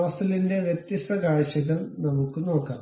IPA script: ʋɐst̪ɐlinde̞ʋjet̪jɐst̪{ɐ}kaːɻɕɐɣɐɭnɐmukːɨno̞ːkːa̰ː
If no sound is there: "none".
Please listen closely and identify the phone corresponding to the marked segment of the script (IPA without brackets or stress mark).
ɐ